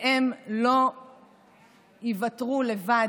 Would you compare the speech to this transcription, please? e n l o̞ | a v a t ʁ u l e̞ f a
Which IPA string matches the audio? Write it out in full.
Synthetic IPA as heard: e m l o̞ | i v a t ʁ u l e̞ v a